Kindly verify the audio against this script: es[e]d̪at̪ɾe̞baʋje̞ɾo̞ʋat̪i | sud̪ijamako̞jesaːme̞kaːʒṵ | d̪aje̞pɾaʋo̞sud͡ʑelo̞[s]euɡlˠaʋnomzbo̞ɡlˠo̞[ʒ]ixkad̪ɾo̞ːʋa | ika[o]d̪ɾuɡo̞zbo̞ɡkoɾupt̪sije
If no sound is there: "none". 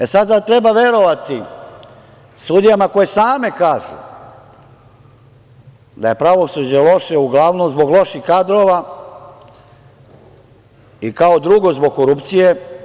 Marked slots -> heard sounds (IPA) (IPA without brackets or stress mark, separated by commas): a, ʃ, ʃ, o